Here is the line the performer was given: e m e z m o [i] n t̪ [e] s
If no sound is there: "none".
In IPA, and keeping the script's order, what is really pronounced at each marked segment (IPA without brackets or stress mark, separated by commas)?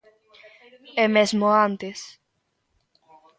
a, e